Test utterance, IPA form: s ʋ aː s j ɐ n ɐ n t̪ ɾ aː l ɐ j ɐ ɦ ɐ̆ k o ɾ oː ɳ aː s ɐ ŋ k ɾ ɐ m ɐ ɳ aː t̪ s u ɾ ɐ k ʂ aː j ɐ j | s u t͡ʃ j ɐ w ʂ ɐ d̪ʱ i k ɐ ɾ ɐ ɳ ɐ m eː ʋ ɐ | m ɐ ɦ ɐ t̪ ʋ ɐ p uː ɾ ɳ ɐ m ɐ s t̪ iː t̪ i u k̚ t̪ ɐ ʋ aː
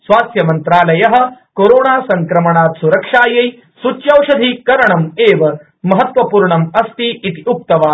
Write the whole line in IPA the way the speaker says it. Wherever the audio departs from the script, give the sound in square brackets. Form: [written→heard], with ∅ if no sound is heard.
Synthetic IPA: s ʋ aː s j ɐ [n→m] ɐ n t̪ ɾ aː l ɐ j ɐ ɦ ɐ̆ k o ɾ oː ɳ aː s ɐ ŋ k ɾ ɐ m ɐ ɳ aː t̪ s u ɾ ɐ k ʂ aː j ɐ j | s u t͡ʃ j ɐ w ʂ ɐ d̪ʱ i k ɐ ɾ ɐ ɳ ɐ m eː ʋ ɐ | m ɐ ɦ ɐ t̪ ʋ ɐ p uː ɾ ɳ ɐ m ɐ s t̪ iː t̪ i u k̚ t̪ ɐ ʋ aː